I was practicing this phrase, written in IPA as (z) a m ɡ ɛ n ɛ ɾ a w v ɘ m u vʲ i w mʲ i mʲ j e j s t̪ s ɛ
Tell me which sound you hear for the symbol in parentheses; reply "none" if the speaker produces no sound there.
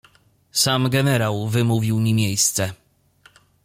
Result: s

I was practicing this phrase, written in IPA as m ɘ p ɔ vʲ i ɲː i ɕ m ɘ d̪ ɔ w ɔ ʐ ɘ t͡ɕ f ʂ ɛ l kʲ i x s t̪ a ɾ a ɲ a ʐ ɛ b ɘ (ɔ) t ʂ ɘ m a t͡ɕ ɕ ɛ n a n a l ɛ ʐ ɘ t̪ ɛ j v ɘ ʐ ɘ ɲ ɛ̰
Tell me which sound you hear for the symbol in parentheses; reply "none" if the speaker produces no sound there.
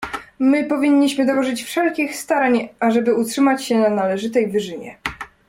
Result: u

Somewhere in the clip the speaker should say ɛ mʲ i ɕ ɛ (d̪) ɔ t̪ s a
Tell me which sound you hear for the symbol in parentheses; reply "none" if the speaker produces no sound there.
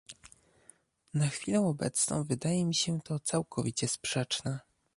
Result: t̪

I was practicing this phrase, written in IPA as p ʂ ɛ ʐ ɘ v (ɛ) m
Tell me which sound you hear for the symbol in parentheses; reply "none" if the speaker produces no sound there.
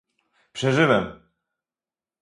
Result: ɛ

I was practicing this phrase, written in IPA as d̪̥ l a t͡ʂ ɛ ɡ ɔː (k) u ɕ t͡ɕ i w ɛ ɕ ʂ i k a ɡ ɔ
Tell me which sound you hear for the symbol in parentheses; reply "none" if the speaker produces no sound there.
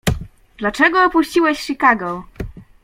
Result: p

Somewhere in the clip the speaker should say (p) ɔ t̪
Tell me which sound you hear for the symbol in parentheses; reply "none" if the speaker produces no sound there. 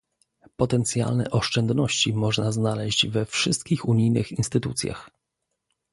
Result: p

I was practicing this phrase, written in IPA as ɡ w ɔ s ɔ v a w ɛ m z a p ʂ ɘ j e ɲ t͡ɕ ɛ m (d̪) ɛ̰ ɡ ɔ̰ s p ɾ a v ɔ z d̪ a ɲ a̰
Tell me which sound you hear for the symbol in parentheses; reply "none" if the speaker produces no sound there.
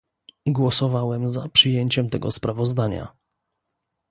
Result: t̪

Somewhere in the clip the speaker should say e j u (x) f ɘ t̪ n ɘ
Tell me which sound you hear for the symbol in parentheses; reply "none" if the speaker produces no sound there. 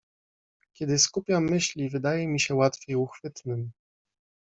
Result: x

